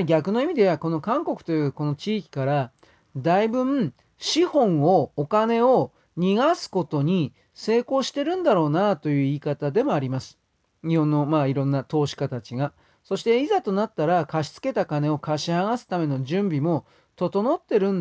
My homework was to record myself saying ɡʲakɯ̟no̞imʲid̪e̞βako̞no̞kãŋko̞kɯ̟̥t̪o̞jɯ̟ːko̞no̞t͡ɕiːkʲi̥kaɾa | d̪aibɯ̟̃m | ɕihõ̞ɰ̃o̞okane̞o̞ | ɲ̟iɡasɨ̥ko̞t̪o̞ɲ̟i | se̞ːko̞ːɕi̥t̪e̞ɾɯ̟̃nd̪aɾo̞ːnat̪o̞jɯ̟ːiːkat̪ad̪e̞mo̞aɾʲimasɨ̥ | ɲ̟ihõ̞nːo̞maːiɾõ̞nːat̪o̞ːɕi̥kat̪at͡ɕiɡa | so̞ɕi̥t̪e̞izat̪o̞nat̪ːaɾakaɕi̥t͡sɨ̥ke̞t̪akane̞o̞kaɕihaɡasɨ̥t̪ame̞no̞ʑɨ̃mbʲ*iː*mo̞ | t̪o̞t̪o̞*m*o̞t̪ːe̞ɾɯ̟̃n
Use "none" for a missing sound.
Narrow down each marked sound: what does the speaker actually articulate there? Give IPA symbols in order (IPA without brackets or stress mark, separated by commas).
i, n